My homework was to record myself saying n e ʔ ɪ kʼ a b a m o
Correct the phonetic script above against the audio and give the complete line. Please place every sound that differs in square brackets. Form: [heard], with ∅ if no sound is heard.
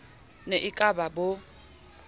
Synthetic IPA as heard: n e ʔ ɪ kʼ a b a [b] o